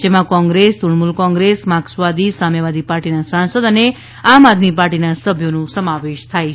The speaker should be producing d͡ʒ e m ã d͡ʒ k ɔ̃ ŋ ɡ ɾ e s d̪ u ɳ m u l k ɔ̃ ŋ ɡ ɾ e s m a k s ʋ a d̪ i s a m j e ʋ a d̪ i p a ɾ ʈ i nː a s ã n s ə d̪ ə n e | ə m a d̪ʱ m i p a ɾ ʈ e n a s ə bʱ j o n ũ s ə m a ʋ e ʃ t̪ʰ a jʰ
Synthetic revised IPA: d͡ʒ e m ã k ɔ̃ ŋ ɡ ɾ e s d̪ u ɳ m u l k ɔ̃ ŋ ɡ ɾ e s m a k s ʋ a d̪ i s a m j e ʋ a d̪ i p a ɾ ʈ i n a s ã n s ə d̪ ə n e | a m a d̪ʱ m i p a ɾ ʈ i n a s ə bʱ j o n ũ s ə m a ʋ e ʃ t̪ʰ a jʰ